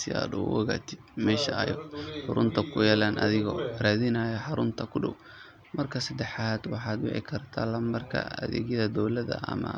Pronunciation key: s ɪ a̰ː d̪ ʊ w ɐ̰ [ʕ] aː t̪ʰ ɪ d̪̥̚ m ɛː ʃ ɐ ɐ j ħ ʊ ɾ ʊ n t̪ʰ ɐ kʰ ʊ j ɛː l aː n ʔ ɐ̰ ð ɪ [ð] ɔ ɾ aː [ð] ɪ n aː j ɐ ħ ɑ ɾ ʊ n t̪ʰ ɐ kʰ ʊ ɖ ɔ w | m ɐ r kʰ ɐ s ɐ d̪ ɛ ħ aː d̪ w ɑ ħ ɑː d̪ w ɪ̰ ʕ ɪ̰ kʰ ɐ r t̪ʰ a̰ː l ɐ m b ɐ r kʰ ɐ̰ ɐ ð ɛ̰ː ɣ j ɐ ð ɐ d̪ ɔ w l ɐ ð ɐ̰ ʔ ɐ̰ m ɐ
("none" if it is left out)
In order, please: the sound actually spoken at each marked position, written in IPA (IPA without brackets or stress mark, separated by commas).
ɣ, ɣ, ð